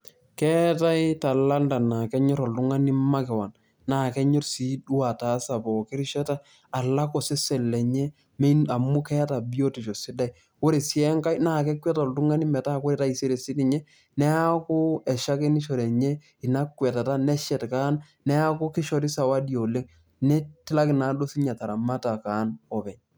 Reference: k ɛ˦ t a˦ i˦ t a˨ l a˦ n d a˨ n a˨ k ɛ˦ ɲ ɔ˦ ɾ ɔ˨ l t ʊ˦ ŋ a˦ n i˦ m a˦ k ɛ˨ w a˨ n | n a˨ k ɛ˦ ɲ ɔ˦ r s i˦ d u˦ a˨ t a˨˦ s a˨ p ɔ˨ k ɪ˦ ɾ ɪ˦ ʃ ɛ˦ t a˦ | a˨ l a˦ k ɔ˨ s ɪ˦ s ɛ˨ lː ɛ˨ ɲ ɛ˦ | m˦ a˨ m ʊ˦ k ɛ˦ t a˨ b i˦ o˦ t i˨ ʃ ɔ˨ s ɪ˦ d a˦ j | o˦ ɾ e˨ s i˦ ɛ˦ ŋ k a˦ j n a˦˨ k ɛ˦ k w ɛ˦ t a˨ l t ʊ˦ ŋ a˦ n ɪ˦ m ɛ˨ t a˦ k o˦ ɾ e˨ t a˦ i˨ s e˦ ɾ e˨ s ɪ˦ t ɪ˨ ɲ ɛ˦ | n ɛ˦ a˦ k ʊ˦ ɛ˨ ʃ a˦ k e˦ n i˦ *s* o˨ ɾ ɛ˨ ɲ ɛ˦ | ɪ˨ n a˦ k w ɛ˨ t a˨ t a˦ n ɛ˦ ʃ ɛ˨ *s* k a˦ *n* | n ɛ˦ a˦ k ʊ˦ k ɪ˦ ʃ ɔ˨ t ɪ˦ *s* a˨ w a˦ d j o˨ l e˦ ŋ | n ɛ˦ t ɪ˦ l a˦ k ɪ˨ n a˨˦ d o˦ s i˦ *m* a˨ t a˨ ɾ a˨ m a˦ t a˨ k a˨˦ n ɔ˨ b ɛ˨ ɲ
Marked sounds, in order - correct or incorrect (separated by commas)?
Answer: incorrect, incorrect, correct, correct, incorrect